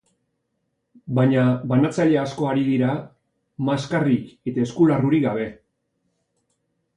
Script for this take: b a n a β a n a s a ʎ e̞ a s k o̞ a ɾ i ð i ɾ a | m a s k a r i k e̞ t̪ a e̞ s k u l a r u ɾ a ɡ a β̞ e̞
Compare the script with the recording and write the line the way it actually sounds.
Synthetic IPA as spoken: b a ɲ a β a n a t͡s a ʎ e̞ a s k o̞ a ɾ i ð i ɾ a | m a s k a r i k e̞ t̪ a e̞ s k u l a r u ɾ i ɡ a β̞ e̞

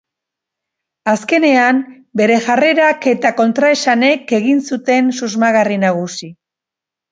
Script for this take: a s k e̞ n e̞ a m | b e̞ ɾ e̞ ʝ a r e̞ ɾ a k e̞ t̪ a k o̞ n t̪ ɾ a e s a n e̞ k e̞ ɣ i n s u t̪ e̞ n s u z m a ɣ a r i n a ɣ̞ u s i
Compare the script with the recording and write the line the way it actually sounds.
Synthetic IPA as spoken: a s k e̞ n e̞ a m | b e̞ ɾ e̞ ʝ a r e̞ ɾ a k e̞ t̪ a k o̞ n t̪ ɾ a e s a n e̞ k e̞ ɣ i n s u t̪ e̞ n s u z m a ɣ a r i n a ɣ̞ u s i

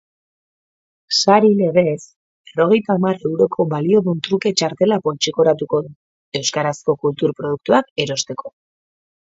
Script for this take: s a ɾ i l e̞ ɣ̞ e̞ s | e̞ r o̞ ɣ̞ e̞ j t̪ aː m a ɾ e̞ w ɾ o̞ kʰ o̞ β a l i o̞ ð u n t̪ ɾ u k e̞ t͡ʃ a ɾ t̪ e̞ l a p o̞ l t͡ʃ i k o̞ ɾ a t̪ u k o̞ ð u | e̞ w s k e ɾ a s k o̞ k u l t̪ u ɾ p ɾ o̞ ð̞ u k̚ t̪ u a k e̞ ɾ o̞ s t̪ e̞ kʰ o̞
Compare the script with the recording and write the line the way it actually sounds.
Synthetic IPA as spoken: s a ɾ i l e̞ ɣ̞ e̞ s | e̞ r o̞ ɣ̞ e̞ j t̪ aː m a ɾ e̞ w ɾ o̞ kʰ o̞ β a l i o̞ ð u n t̪ ɾ u k e̞ t͡ʃ a ɾ t̪ e̞ l a p o̞ l t͡ʃ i k o̞ ɾ a t̪ u k o̞ ð u | e̞ w s k a ɾ a s k o̞ k u l t̪ u ɾ p ɾ o̞ ð̞ u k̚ t̪ u a k e̞ ɾ o̞ s t̪ e̞ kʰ o̞

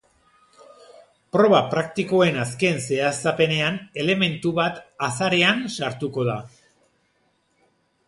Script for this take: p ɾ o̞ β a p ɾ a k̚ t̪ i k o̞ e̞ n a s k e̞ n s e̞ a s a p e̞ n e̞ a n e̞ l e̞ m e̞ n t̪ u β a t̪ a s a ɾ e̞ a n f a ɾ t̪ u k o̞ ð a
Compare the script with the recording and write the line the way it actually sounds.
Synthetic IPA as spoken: p ɾ o̞ β a p ɾ a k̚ t̪ i k o̞ e̞ n a s k e̞ n s e̞ a s a p e̞ n e̞ a n e̞ l e̞ m e̞ n t̪ u β a t̪ a s a ɾ e̞ a n s a ɾ t̪ u k o̞ ð a

